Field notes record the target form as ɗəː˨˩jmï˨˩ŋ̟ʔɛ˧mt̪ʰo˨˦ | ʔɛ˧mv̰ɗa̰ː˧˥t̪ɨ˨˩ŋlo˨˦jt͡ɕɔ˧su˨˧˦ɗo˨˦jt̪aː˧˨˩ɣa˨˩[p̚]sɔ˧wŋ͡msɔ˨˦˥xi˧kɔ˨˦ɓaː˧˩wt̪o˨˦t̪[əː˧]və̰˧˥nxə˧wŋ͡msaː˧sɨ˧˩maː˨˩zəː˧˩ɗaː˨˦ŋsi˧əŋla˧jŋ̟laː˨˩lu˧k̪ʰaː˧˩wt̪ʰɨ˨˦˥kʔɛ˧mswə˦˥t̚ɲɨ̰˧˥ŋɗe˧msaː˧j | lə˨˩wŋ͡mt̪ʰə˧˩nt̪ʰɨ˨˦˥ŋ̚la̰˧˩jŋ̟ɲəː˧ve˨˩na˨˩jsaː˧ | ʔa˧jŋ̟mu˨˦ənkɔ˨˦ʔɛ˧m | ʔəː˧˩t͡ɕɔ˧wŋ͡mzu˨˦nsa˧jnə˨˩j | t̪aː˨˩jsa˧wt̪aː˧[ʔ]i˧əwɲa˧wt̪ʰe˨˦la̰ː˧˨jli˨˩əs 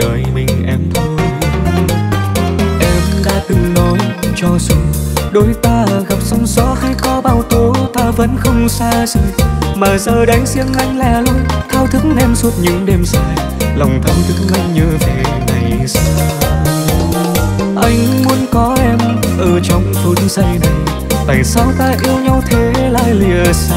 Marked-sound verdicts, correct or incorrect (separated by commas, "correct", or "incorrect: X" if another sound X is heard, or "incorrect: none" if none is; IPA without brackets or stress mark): correct, incorrect: aː˧, correct